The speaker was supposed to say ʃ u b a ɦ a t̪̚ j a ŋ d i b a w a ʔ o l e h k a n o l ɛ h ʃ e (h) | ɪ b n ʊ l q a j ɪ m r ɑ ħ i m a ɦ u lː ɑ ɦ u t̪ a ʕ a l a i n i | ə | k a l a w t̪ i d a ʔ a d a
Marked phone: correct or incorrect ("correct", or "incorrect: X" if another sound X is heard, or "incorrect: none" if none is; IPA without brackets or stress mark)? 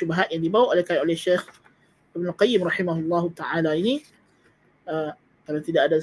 incorrect: x